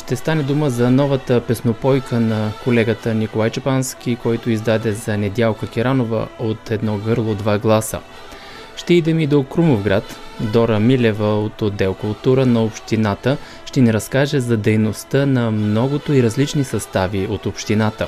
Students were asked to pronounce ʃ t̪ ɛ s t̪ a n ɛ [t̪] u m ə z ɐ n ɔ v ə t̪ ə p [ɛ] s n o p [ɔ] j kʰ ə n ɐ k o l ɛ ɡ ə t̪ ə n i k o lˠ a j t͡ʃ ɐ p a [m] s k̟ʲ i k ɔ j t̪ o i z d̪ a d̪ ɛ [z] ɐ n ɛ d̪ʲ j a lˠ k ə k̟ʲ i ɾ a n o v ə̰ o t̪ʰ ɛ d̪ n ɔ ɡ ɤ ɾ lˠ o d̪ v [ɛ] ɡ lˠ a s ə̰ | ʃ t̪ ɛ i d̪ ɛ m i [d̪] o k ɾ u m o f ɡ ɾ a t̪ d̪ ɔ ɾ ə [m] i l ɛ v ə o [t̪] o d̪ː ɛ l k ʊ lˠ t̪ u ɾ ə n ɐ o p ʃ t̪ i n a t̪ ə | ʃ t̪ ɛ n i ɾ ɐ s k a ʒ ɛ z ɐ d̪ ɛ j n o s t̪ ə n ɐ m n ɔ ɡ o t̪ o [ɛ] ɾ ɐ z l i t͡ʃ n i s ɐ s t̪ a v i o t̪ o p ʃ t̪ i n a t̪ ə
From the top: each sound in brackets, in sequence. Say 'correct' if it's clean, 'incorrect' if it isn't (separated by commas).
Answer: incorrect, correct, correct, incorrect, correct, incorrect, correct, correct, correct, incorrect